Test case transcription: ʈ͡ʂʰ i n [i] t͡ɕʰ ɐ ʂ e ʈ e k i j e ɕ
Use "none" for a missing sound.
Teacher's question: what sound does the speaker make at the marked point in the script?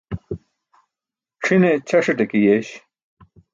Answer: e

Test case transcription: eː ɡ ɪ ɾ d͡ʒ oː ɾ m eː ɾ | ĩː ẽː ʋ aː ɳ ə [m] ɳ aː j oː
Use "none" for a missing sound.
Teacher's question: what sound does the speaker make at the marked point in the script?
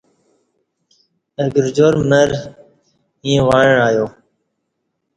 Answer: none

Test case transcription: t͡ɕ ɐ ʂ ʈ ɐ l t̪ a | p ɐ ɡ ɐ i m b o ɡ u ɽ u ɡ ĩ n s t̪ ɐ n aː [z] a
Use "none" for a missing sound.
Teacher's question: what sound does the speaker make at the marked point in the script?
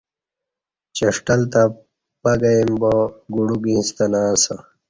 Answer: s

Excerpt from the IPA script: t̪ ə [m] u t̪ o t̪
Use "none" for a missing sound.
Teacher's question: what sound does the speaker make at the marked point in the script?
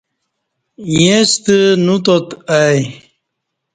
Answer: n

